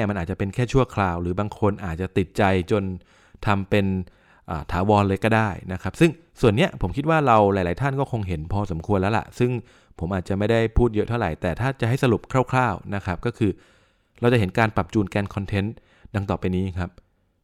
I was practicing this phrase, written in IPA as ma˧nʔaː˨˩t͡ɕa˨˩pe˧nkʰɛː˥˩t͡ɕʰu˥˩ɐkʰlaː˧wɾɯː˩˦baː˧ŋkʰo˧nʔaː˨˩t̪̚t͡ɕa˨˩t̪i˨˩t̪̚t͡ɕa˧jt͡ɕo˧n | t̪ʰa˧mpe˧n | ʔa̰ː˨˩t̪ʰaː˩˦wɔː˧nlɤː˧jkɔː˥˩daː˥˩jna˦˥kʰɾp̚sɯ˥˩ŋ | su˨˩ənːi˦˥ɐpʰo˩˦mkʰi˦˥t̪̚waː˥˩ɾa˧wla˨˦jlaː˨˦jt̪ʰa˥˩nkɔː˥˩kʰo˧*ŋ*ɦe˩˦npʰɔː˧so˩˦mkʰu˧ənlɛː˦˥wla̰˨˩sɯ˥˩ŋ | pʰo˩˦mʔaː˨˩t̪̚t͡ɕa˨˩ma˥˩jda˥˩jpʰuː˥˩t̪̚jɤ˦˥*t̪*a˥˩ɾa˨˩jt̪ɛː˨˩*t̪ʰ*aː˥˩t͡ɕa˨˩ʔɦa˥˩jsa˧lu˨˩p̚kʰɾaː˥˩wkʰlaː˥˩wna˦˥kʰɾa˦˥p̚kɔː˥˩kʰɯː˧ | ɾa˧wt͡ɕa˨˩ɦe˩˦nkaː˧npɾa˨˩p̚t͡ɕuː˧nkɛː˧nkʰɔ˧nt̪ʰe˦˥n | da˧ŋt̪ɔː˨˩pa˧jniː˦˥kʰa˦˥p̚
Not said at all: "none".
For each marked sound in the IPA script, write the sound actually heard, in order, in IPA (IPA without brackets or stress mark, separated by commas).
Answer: ŋ, t̪ʰ, t̪ʰ